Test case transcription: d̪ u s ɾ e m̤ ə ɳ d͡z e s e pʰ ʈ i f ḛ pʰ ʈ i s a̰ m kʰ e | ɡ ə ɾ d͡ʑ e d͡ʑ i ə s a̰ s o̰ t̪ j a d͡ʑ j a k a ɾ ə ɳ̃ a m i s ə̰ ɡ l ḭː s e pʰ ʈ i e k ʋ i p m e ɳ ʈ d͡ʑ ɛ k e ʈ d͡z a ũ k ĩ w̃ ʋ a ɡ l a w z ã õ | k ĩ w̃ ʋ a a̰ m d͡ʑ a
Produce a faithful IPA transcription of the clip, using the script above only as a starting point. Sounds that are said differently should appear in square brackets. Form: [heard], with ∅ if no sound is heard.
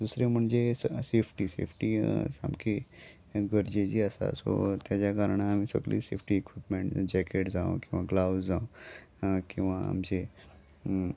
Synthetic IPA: d̪ u s ɾ e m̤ ə ɳ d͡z e s e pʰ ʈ i [s] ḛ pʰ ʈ i s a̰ m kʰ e | ɡ ə ɾ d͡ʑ e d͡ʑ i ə s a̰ s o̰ t̪ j a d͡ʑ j a k a ɾ ə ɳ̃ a m i s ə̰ ɡ l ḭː s e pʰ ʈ i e k ʋ i p m e ɳ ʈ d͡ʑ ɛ k e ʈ d͡z a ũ k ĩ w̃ ʋ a ɡ l a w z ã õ | k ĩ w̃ ʋ a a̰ m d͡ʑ [e]